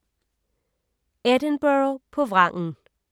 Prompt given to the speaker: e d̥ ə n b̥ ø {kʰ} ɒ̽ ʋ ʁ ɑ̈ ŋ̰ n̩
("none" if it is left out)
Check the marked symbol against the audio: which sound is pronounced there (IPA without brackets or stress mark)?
pʰ